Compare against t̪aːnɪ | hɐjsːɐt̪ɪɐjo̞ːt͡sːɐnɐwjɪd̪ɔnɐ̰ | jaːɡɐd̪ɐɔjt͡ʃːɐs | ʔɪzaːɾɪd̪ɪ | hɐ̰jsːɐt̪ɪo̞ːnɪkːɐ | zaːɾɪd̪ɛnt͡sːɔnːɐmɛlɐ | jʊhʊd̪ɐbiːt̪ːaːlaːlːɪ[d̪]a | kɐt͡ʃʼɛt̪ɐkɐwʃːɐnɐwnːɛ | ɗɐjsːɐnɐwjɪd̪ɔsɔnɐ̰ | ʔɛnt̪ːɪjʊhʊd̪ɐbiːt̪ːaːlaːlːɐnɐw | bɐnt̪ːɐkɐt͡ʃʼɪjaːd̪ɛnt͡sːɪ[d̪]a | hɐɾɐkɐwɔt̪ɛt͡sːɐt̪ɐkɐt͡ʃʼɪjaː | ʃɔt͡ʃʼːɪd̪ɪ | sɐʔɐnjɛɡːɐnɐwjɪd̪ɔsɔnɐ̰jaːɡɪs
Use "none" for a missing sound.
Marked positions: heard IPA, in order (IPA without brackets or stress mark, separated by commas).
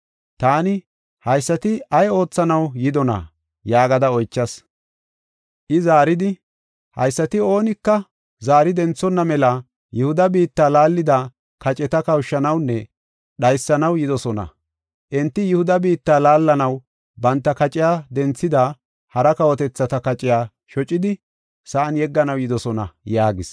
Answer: d̪, d̪